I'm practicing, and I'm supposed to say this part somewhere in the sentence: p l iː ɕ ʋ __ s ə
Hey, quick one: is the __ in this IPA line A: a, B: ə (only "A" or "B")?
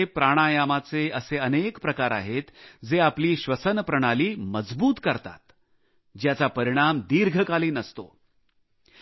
B